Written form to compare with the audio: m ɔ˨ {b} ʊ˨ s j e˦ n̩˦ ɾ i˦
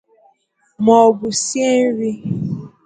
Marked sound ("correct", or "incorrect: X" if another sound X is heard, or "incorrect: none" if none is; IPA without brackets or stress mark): correct